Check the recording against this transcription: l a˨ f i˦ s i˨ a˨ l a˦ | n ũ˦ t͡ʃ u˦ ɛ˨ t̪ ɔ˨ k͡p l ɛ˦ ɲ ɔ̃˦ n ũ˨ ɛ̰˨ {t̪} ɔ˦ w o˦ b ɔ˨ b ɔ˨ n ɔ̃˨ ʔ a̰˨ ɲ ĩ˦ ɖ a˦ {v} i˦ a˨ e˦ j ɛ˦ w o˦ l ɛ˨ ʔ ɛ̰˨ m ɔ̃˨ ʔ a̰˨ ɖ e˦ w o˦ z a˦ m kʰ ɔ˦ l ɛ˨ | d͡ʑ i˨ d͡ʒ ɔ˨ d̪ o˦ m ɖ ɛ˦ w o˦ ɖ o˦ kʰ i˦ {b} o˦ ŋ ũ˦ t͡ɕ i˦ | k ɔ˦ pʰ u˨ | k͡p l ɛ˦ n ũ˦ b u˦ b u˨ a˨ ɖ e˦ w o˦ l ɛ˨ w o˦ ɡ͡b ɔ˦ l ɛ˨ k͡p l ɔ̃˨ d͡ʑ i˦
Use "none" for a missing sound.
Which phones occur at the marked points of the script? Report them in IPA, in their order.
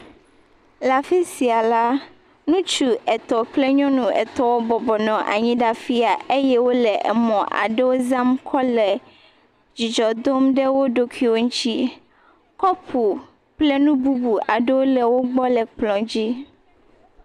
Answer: t̪, f, w

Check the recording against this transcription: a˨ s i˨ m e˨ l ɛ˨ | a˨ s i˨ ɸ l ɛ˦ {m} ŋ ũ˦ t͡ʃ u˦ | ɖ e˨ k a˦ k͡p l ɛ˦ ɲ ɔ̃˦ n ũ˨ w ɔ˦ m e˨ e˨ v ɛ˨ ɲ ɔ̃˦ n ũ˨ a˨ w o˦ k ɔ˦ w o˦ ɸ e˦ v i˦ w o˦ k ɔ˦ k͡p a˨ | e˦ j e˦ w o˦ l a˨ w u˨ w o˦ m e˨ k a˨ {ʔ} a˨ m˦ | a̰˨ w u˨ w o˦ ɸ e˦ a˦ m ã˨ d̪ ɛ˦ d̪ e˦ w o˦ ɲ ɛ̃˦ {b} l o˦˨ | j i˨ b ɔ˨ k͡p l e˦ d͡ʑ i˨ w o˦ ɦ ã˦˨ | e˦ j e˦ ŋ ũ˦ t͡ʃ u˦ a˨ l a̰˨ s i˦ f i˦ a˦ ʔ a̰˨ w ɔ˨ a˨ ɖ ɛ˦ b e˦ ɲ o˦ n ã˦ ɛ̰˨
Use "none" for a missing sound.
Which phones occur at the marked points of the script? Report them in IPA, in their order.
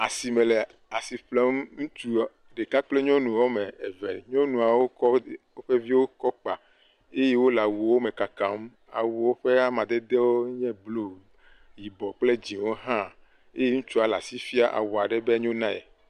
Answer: m, k, b

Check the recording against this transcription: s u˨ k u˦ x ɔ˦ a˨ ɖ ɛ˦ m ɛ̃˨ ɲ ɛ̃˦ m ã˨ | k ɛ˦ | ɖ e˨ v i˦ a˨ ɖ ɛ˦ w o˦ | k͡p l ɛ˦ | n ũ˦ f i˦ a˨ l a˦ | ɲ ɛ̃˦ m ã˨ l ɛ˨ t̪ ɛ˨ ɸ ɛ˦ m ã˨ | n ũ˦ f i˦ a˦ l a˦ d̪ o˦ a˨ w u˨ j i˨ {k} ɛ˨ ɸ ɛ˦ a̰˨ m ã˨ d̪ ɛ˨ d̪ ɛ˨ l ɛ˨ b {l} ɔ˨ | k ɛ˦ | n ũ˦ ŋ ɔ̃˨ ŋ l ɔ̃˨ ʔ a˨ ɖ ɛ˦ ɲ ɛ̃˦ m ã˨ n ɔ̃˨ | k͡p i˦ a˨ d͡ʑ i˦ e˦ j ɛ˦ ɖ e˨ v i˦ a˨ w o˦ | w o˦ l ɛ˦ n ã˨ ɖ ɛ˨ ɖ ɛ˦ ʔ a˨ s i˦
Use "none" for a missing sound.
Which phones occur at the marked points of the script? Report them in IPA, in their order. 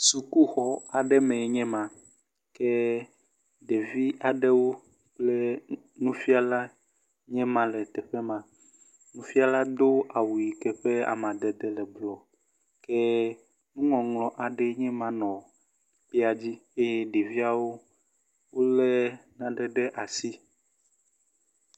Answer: k, l

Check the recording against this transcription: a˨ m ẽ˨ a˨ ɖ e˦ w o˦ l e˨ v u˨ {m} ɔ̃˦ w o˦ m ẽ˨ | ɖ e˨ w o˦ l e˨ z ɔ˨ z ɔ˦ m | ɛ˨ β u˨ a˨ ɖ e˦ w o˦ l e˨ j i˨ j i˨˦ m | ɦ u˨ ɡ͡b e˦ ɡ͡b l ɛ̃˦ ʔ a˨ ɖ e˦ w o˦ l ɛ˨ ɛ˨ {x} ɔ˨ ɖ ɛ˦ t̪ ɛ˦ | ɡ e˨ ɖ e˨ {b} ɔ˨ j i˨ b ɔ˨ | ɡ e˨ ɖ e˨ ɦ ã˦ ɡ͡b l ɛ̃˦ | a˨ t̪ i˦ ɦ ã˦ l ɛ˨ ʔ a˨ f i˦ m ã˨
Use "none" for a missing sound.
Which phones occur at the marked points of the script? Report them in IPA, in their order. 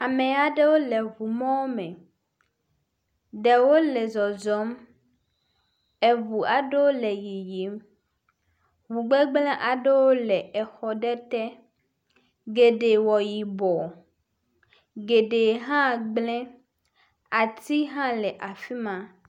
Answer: m, x, w

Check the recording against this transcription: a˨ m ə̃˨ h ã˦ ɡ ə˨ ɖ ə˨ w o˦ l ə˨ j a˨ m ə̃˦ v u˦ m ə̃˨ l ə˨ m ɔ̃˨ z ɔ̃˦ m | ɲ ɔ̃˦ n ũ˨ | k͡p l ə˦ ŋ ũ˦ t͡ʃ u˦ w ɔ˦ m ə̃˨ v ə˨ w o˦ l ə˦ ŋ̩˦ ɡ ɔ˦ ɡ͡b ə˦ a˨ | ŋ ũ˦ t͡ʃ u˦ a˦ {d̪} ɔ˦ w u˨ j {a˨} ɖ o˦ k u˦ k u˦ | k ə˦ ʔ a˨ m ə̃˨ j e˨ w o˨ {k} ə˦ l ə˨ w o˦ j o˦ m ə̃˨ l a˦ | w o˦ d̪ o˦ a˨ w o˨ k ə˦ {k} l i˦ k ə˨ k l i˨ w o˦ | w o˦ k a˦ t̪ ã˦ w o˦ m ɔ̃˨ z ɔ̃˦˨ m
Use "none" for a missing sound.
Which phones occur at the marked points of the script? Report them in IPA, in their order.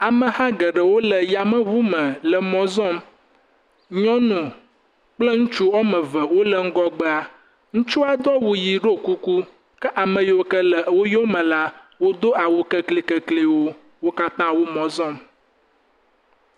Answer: d̪, i˨, k, k

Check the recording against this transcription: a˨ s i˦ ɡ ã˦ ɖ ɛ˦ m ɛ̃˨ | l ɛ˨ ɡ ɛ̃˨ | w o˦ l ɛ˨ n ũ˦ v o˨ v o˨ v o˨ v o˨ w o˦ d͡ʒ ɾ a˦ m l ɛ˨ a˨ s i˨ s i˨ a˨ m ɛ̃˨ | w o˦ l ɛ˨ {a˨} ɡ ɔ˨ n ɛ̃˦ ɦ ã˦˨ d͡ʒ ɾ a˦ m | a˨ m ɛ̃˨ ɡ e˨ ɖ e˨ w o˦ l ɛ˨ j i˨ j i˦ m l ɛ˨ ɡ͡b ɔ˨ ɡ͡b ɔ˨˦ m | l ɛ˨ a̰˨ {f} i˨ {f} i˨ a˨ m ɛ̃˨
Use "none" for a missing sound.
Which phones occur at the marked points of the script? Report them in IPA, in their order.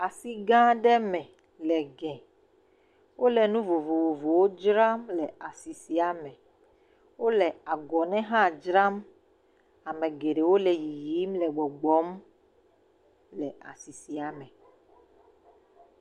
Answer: a˨, s, s

